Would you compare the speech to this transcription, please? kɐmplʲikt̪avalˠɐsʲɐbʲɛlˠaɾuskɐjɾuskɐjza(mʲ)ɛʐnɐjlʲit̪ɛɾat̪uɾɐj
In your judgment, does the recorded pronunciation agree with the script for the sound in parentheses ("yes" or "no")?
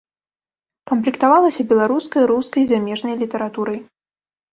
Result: yes